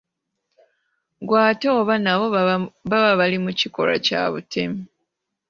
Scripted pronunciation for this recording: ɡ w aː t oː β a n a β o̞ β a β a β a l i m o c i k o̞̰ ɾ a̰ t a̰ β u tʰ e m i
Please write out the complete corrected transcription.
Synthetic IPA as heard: ɡ w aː t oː β a n a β o̞ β a β a β a l i m u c i k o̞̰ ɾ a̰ c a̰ β u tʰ e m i